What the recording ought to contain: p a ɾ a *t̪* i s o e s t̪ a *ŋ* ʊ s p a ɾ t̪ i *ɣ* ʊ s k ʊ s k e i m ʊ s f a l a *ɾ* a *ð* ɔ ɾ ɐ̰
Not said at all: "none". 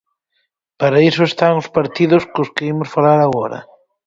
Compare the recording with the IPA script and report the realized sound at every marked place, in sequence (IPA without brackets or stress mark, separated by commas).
none, ŋ, ð, ɾ, ɣ